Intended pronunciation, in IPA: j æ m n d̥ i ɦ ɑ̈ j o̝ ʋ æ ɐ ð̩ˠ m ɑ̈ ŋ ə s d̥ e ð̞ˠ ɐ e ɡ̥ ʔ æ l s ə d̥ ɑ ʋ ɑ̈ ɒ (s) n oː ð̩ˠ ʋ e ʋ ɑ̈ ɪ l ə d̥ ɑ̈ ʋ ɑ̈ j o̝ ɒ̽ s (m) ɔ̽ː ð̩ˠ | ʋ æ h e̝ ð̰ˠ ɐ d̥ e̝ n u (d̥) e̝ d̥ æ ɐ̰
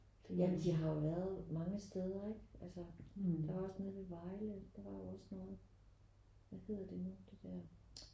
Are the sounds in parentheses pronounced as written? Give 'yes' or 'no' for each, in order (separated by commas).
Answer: yes, no, yes